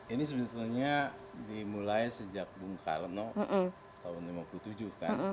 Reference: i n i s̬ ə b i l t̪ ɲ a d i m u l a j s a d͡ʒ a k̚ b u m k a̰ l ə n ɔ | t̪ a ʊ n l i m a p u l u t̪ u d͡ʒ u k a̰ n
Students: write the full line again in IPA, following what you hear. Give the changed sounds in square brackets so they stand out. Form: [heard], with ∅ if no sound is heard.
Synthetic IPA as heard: i n i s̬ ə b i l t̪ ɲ a d i m u l a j s [ə] d͡ʒ a k̚ b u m k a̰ l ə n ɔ | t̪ a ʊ n l i m a p u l u t̪ u d͡ʒ u k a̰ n